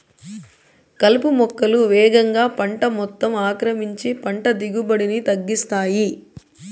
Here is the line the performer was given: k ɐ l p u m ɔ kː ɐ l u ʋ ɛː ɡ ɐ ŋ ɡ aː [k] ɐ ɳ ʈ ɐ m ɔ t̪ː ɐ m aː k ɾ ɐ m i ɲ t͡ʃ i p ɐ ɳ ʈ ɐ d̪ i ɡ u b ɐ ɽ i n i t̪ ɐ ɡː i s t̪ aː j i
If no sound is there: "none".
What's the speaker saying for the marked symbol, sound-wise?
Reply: p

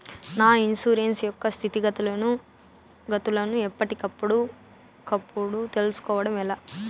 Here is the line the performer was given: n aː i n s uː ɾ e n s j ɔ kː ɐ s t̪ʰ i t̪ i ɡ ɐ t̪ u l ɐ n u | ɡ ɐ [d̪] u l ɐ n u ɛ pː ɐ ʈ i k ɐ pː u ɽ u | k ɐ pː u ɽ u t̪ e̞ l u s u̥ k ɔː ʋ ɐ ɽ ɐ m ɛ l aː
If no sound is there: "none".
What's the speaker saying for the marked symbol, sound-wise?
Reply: t̪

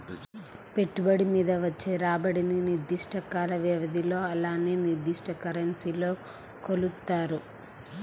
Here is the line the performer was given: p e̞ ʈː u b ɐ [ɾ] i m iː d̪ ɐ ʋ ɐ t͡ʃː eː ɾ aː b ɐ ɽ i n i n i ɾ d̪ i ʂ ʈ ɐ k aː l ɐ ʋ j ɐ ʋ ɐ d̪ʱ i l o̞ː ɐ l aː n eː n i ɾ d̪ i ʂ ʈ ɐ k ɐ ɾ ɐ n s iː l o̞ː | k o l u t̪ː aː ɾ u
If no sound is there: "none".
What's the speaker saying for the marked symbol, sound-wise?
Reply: ɽ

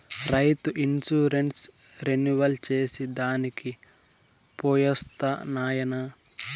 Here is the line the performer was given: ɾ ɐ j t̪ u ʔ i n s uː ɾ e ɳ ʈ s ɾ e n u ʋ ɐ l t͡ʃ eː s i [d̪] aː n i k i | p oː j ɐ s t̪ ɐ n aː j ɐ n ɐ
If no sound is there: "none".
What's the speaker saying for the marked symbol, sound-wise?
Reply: d̪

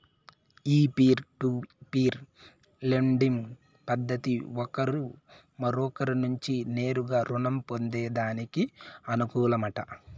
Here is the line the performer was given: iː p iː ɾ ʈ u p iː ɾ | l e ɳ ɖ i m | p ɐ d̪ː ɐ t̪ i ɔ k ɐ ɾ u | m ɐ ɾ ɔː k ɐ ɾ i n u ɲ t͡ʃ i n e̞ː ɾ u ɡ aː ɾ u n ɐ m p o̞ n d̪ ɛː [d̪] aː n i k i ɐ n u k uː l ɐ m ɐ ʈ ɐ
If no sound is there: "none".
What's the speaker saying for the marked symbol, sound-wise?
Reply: d̪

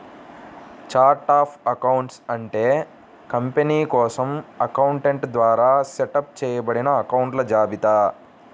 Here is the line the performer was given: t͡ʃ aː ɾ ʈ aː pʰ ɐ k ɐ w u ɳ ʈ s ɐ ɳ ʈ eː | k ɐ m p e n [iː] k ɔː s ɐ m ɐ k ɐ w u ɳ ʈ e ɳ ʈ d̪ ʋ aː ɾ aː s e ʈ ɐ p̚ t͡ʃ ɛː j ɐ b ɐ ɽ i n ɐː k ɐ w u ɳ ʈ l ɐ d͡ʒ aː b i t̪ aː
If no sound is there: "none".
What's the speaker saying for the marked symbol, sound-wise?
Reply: iː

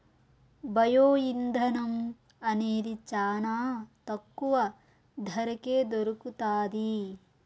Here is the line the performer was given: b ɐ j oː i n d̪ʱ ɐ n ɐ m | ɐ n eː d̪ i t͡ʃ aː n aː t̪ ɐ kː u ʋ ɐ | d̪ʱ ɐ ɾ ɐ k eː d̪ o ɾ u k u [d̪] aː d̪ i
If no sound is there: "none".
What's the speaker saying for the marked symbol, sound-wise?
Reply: t̪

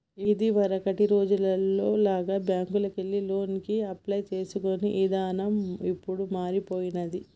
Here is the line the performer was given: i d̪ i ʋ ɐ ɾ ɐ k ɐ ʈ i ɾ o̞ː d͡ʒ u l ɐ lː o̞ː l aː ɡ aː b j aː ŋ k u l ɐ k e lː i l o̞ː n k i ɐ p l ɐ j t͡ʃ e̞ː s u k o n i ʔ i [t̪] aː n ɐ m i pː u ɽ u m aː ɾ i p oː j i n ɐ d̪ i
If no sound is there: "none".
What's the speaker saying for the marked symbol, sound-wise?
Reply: d̪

